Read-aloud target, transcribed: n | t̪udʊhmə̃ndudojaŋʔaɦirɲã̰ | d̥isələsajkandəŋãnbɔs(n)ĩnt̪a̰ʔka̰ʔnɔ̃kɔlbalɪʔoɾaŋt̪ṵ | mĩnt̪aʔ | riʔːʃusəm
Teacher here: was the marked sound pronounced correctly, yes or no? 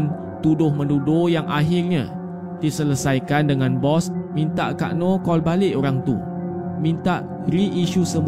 no